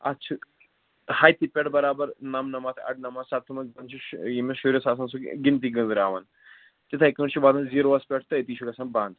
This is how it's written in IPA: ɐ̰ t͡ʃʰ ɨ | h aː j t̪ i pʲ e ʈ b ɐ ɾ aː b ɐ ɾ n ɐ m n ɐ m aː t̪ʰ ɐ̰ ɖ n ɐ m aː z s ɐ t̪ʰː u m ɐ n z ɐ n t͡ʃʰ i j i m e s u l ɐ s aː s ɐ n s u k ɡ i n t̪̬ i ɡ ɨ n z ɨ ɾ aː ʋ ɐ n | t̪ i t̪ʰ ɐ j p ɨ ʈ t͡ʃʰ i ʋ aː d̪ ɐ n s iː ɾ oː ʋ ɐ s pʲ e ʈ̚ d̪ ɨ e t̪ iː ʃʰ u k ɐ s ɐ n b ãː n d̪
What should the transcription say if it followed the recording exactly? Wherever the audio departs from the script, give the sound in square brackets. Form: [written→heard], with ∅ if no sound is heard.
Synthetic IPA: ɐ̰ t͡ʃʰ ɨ | h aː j t̪ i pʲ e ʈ b ɐ ɾ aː b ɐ ɾ n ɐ m n ɐ m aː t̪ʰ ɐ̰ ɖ n ɐ m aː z s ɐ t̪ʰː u m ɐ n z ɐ n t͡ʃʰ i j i m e [s→ʃ] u [l→ɾ] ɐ s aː s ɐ n s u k ɡ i n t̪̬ i ɡ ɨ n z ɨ ɾ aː ʋ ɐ n | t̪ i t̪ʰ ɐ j [p→k] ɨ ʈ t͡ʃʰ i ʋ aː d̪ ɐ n [s→z] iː ɾ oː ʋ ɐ s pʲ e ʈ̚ [d̪→t̪] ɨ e t̪ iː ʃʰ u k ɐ s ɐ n b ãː n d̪